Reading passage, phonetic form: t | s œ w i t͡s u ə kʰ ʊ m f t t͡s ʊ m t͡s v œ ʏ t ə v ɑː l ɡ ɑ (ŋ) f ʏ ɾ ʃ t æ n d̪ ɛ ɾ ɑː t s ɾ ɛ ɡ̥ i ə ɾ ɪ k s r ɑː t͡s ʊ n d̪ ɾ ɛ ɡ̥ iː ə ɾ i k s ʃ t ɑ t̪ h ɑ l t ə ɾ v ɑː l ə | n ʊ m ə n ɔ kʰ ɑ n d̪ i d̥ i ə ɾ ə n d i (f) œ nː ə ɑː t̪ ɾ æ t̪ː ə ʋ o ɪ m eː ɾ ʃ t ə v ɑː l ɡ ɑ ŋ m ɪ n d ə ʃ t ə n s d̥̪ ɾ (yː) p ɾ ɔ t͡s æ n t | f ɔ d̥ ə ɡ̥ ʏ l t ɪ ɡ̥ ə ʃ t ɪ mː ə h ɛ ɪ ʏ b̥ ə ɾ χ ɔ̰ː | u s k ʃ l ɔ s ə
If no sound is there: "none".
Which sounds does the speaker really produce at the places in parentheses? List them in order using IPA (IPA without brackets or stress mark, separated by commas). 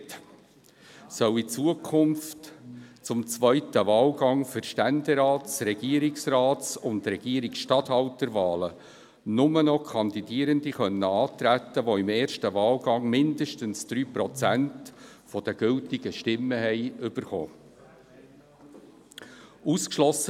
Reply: ŋ, χ, yː